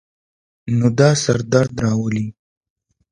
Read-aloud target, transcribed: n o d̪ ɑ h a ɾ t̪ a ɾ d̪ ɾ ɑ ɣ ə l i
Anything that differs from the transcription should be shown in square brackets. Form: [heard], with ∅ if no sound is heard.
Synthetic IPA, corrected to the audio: n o d̪ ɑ [s] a ɾ [d̪] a ɾ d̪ ɾ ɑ [w] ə l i